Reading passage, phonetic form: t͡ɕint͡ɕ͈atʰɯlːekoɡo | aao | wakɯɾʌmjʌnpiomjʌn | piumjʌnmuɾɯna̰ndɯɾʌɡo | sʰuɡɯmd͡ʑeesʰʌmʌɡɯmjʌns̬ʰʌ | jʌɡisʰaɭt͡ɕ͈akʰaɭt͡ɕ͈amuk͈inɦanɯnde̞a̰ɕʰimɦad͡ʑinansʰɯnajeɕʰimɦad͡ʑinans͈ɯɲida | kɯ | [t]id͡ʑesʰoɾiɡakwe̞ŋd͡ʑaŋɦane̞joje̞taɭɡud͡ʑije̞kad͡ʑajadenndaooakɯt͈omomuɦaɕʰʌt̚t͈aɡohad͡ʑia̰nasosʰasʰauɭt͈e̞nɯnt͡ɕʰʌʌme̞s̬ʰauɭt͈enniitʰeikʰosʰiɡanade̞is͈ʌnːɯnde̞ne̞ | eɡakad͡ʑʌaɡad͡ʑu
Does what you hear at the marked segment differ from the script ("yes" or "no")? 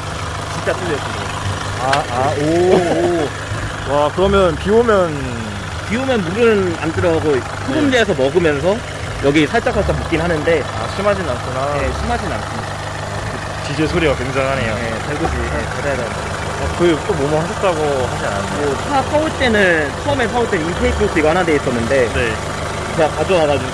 yes